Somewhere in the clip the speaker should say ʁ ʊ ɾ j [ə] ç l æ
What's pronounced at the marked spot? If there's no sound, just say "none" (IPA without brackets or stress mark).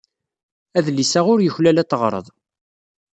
ə